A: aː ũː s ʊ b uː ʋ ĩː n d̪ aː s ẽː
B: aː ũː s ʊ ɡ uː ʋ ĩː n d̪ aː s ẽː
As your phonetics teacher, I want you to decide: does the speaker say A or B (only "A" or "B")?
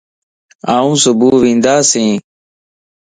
A